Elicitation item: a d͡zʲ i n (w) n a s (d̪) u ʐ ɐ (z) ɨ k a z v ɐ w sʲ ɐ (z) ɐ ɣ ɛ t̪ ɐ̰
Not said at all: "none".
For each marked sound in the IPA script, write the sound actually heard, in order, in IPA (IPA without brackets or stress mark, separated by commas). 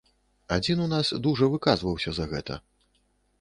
u, d̪, v, z